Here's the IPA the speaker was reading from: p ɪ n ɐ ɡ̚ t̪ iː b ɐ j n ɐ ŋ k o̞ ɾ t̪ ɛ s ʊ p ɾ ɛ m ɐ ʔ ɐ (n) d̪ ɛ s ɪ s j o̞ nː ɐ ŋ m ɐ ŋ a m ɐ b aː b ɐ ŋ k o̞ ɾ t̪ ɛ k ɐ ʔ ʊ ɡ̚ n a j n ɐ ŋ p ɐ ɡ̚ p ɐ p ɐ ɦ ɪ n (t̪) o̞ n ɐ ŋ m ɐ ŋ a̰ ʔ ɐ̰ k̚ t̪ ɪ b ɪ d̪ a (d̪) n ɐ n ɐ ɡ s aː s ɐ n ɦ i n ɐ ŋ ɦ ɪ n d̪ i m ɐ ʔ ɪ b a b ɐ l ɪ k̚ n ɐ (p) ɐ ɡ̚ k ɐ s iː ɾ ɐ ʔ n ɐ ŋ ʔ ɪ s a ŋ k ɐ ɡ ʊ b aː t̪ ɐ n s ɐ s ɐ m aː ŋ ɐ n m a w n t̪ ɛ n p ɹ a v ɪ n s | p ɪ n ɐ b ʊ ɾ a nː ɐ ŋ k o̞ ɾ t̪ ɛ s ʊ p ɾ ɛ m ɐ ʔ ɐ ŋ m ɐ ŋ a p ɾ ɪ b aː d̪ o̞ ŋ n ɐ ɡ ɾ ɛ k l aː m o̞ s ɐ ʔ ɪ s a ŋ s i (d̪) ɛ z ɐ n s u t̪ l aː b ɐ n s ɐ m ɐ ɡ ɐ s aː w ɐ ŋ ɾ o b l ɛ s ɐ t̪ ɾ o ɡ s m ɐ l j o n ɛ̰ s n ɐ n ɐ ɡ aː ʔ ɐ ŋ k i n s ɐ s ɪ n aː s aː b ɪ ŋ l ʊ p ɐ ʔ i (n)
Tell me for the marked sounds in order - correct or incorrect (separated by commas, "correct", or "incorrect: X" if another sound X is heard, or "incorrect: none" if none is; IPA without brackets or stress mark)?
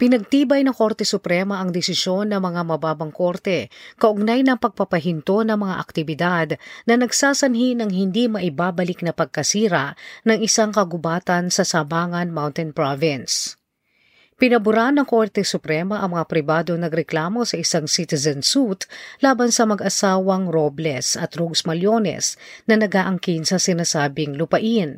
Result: incorrect: ŋ, correct, correct, correct, incorrect: t̪, correct